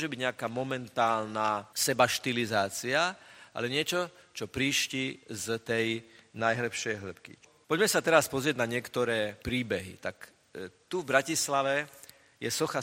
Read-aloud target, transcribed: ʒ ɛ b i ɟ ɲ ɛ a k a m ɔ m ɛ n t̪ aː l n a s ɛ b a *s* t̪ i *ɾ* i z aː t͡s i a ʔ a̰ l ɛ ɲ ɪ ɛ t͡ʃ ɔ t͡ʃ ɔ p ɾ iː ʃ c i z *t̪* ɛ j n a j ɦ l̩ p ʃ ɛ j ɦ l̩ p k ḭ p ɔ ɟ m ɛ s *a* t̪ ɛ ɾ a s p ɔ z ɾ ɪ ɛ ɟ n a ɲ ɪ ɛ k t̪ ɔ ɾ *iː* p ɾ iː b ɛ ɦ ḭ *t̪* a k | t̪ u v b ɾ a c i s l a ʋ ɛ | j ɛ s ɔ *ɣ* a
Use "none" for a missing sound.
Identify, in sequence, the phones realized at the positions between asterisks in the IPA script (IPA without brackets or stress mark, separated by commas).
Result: ʃ, l, t̪, a, ɛː, t̪, x